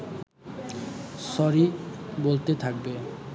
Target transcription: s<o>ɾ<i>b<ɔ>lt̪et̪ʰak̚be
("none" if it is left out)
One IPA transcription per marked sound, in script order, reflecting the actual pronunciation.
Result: ɔ, i, o

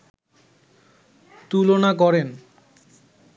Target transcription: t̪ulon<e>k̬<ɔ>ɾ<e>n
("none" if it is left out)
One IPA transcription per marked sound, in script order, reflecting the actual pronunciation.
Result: a, ɔ, e

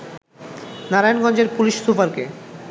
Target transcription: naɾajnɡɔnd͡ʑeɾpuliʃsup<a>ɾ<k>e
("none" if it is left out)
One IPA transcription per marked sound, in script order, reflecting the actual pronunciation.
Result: a, k

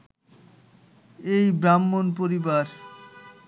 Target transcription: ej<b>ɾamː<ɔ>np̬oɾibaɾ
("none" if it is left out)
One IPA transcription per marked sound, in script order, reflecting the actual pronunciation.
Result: b, o

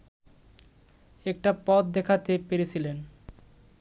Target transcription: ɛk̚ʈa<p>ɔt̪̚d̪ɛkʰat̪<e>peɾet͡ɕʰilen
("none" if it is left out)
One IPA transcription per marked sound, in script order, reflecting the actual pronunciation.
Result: p, e

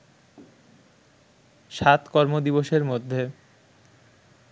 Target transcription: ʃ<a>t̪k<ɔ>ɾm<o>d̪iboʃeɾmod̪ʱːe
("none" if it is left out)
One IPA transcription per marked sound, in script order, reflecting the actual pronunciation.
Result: a, ɔ, o

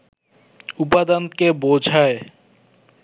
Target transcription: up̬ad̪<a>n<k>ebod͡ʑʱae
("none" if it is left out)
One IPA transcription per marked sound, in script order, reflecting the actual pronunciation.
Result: a, k

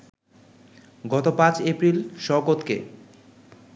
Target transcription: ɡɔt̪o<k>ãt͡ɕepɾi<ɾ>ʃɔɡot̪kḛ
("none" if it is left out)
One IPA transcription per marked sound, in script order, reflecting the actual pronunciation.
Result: p, l

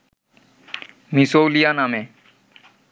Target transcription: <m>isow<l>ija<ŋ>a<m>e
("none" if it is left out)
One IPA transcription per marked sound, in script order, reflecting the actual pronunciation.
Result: m, l, n, m

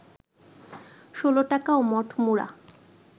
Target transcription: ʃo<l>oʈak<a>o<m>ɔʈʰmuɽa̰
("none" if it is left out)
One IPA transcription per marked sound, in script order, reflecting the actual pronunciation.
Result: l, a, m

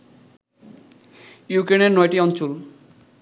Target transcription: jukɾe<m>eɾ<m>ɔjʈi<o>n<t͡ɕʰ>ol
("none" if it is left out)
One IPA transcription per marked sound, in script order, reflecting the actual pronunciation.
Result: n, n, ɔ, t͡ɕ

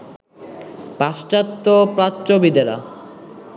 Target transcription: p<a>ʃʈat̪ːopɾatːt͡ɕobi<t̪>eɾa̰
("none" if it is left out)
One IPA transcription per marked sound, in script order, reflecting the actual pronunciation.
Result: a, d̪

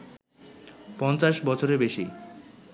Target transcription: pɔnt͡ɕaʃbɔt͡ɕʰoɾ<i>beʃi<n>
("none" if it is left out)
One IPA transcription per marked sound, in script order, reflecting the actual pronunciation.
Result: e, none

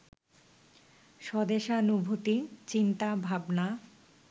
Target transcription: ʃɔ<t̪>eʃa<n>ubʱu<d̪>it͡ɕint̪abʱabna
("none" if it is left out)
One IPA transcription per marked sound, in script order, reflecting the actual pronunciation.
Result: d̪, n, t̪

